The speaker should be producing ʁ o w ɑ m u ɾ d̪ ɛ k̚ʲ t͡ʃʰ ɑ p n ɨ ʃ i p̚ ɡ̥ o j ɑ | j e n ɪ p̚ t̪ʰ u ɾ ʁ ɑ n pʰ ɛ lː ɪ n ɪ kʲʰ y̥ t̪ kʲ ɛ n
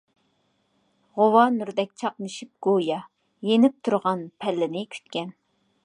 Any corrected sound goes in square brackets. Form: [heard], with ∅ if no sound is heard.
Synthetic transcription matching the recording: ʁ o w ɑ [n] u ɾ d̪ ɛ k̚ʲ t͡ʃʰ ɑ [q] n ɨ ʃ i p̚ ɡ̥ o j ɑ | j e n ɪ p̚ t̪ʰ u ɾ ʁ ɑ n pʰ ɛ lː ɪ n ɪ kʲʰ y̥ t̪ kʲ ɛ n